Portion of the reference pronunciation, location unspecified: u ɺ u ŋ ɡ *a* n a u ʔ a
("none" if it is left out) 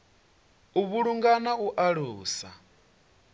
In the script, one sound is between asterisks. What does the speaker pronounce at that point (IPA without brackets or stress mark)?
a